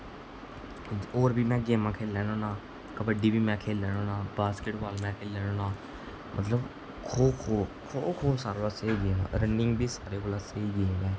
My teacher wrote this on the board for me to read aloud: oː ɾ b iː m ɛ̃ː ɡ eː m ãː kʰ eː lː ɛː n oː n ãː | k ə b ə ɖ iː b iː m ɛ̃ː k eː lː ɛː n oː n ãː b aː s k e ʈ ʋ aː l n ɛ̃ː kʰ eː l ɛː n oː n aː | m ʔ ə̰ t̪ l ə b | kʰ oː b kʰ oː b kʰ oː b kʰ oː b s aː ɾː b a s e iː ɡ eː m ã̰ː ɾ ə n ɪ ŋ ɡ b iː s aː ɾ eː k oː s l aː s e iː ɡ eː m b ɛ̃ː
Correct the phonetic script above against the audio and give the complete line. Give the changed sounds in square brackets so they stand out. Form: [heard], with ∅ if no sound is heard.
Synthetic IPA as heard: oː ɾ b iː m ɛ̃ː ɡ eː m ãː kʰ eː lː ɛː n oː n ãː | k ə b ə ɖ iː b iː m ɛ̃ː [kʰ] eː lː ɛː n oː n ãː b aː s k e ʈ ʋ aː l [m] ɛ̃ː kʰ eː l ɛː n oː n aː | m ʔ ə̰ t̪ l ə b | kʰ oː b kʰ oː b kʰ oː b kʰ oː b s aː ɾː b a s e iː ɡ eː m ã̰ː ɾ ə n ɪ ŋ ɡ b iː s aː ɾ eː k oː [∅] l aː s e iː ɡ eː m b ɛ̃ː